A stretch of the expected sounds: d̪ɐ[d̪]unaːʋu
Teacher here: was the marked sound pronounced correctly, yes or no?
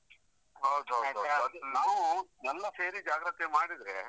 yes